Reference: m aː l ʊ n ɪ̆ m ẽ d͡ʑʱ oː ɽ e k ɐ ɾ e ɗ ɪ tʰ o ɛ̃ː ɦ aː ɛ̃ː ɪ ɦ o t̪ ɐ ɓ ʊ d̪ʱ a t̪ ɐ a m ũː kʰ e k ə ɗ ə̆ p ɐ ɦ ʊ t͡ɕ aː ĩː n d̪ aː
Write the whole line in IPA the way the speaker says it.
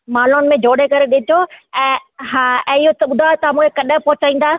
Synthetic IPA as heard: m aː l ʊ n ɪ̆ m ẽ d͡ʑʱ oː ɽ e k ɐ ɾ e ɗ ɪ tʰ o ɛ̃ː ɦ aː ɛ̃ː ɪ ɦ o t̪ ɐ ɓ ʊ d̪ʱ a t̪ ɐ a m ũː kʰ e k ɐ ɗ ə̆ p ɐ ɦ ʊ t͡ɕ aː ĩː n d̪ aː